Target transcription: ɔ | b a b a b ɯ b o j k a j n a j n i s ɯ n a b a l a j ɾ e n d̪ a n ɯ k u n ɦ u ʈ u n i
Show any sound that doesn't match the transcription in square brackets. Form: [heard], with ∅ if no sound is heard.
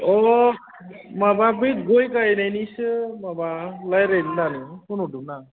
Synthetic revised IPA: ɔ | [m] a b a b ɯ [ɡ] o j k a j n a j n i s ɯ [m] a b a l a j ɾ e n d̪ a n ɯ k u n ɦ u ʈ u n [a]